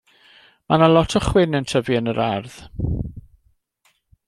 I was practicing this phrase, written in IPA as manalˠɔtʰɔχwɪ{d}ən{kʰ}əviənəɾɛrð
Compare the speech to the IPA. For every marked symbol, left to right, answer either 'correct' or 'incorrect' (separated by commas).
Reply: incorrect, incorrect